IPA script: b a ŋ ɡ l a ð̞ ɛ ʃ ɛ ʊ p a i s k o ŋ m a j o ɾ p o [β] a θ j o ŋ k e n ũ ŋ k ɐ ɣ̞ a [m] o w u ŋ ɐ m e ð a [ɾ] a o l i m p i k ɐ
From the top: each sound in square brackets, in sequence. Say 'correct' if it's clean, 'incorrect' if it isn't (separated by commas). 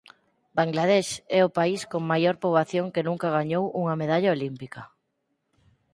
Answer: correct, incorrect, incorrect